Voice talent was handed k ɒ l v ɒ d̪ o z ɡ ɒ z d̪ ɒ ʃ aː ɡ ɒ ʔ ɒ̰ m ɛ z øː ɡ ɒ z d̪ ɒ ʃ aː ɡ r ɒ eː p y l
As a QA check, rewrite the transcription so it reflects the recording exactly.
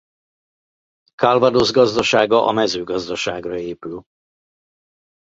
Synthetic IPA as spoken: k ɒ l v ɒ d̪ o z ɡ ɒ z d̪ ɒ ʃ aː ɡ ɒ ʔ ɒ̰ m ɛ z øː ɡ ɒ z d̪ ɒ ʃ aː ɡ r ɒ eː p y l